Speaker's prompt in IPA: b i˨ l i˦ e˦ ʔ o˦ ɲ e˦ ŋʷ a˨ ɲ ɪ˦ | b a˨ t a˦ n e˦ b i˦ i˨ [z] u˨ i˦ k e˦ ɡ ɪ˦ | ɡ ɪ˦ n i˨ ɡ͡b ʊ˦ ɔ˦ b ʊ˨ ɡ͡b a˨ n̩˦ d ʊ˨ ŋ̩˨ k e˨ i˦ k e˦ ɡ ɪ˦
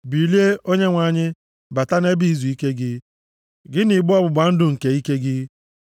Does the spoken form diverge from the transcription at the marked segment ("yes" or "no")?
no